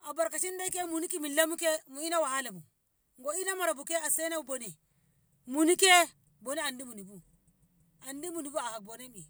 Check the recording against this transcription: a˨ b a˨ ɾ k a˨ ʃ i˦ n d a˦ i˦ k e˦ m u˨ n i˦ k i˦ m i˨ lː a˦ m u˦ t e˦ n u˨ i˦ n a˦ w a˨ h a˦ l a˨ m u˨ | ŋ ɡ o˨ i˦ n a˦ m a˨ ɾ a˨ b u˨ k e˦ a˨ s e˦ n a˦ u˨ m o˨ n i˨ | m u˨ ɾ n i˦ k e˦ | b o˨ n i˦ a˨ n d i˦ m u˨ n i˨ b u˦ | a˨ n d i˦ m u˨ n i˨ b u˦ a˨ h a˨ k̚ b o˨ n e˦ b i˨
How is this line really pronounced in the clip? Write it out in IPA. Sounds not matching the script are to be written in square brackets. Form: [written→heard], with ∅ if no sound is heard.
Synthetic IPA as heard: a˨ b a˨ ɾ k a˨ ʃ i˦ n d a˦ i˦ k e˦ m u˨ n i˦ k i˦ m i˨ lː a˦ m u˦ [t→k] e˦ [n→m] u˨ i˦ n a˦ w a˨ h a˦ l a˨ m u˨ | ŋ ɡ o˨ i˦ n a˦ m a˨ ɾ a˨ b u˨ k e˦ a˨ s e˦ n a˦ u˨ [m→b] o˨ n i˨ | m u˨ [ɾ→∅] n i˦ k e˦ | b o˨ n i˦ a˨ n d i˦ m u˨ n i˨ b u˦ | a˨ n d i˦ m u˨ n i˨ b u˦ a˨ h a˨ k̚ b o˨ n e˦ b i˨